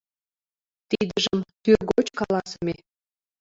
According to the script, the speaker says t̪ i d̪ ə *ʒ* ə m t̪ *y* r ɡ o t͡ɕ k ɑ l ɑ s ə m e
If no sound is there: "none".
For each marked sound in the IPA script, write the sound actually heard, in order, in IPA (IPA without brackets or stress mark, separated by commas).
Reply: ʒ, y